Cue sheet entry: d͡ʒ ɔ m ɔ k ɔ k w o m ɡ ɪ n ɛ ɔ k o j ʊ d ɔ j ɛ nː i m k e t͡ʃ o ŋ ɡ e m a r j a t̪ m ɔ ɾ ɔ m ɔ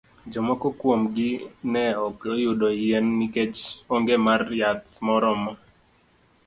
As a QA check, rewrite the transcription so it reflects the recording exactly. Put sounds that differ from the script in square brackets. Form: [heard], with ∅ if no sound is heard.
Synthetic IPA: d͡ʒ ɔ m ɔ k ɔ k w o m ɡ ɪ n ɛ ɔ k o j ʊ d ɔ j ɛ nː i [∅] k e t͡ʃ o ŋ ɡ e m a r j a t̪ m ɔ ɾ ɔ m ɔ